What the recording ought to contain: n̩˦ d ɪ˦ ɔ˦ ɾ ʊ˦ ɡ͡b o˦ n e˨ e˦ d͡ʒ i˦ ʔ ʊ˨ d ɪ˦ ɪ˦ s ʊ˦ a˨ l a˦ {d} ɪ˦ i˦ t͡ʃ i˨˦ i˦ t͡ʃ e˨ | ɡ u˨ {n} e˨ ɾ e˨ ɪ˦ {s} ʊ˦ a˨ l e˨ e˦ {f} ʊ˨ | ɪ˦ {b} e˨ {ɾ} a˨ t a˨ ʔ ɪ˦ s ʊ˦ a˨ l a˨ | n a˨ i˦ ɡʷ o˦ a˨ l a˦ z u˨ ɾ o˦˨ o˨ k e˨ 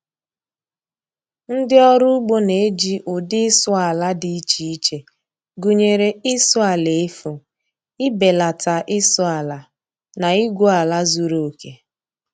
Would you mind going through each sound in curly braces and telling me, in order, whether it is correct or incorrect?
correct, incorrect: ɲ, correct, correct, correct, incorrect: l

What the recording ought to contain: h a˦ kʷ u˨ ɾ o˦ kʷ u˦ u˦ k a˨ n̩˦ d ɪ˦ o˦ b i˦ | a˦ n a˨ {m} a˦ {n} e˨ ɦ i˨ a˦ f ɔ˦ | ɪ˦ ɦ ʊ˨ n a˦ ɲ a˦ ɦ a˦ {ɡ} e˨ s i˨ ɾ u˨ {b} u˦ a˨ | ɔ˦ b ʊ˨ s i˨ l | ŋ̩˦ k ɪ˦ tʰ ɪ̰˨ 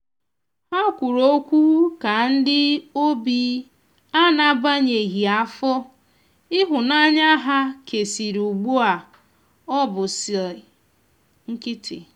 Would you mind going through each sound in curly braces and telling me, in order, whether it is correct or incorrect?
incorrect: b, incorrect: ɲ, incorrect: k, incorrect: ɡ͡b

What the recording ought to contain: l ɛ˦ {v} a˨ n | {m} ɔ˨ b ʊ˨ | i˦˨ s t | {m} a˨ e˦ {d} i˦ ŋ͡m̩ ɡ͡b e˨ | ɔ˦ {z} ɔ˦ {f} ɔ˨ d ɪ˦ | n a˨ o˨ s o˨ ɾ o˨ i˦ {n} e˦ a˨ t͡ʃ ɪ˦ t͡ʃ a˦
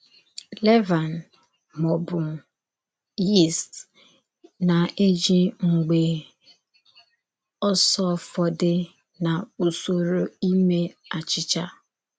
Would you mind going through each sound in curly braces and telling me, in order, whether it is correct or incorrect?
correct, correct, incorrect: n, incorrect: d͡ʒ, incorrect: s, correct, incorrect: m

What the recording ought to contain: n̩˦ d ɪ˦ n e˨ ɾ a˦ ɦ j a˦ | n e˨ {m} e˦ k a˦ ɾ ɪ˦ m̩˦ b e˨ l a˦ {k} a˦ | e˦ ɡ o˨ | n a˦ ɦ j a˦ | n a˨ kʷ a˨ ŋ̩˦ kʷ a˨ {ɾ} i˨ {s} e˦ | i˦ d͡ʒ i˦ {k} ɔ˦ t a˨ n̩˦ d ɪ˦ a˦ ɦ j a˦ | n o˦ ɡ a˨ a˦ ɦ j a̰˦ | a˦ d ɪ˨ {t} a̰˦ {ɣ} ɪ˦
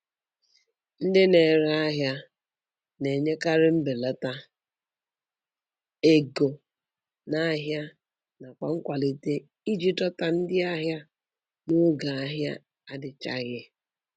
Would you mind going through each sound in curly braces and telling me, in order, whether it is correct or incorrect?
incorrect: ɲ, incorrect: t, incorrect: l, incorrect: t, incorrect: t, incorrect: t͡ʃ, correct

